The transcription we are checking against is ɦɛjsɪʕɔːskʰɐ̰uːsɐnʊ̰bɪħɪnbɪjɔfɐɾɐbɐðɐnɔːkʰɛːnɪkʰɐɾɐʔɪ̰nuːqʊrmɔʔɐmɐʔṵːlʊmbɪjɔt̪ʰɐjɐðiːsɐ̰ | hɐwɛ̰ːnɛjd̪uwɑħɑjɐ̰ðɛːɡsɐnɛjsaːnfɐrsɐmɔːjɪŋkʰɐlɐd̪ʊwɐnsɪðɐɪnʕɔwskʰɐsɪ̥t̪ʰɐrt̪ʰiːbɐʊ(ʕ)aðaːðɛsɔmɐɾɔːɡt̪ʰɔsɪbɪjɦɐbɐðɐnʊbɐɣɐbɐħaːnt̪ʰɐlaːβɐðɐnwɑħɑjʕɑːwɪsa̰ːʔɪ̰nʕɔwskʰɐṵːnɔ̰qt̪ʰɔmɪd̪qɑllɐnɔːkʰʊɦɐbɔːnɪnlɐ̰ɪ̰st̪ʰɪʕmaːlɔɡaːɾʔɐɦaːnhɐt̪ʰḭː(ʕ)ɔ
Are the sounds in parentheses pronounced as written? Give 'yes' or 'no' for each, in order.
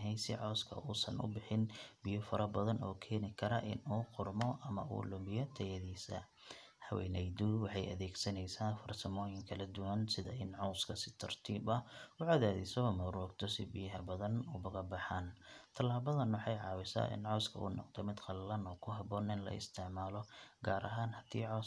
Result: yes, yes

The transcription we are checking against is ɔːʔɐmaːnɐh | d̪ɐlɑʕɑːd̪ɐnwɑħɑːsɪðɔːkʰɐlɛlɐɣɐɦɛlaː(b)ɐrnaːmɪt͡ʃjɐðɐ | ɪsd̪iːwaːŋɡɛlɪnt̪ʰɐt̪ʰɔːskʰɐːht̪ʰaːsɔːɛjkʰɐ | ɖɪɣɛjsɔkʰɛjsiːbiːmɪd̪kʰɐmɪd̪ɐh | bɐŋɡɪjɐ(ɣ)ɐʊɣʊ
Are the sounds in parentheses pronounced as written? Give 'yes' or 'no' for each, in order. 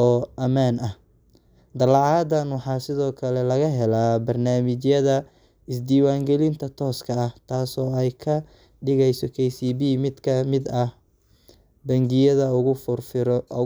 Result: yes, no

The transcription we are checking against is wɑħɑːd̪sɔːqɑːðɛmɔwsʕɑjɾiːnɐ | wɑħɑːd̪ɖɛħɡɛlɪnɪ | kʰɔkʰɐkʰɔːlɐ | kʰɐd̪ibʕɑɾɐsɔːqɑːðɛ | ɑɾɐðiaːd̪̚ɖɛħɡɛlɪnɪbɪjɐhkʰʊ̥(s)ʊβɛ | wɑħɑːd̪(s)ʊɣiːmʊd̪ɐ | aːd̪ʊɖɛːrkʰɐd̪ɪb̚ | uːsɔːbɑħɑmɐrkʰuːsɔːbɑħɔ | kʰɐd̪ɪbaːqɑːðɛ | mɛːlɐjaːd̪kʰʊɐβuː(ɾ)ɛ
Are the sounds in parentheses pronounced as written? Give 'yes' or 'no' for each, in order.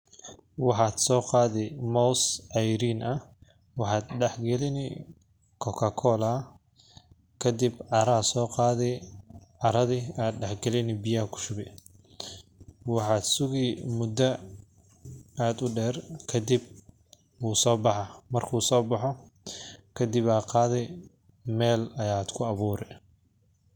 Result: no, yes, yes

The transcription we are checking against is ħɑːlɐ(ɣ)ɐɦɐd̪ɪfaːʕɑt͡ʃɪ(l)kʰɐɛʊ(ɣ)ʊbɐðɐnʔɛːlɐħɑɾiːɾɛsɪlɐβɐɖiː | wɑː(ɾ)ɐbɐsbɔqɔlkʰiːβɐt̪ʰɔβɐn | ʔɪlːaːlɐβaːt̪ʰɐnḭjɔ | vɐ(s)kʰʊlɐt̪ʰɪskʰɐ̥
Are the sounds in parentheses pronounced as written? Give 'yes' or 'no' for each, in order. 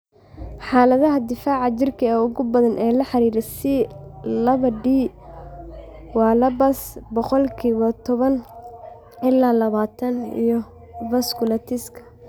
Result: no, no, yes, no, yes

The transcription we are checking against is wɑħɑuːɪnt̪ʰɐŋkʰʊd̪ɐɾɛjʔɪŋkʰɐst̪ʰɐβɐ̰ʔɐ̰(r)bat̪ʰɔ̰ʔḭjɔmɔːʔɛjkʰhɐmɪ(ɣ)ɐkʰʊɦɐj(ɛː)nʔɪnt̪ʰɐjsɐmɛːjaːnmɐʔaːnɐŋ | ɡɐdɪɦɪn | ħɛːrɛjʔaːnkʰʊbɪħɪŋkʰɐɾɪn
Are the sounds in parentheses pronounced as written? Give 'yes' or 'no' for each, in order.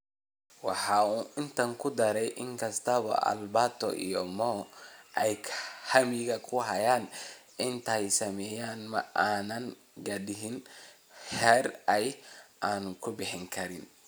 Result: no, yes, no

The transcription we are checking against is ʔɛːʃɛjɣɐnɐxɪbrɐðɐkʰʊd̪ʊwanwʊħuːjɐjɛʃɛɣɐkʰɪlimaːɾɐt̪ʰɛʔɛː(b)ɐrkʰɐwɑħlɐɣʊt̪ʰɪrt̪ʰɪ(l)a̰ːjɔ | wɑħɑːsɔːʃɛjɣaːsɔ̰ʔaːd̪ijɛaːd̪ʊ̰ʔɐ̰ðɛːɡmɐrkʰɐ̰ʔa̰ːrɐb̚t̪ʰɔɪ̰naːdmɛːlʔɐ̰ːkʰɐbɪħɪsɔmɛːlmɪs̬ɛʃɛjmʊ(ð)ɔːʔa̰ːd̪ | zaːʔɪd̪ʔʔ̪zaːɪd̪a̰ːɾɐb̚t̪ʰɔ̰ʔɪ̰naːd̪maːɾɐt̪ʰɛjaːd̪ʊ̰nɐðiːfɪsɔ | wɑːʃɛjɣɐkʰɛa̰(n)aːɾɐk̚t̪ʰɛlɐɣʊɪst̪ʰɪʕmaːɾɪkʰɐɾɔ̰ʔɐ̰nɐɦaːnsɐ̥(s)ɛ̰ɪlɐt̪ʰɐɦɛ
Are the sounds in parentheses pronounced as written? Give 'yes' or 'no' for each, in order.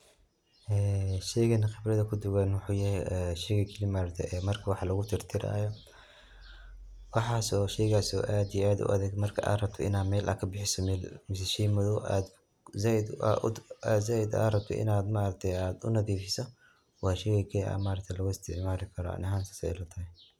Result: no, no, yes, no, yes

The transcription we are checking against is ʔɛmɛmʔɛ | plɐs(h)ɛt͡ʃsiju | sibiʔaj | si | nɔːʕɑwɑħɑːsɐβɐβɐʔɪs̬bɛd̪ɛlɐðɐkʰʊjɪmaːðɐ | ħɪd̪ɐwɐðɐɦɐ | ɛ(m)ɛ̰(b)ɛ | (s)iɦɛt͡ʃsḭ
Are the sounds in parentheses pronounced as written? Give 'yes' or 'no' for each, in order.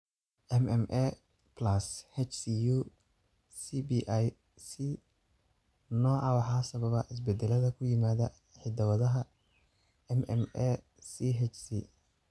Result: yes, yes, no, yes

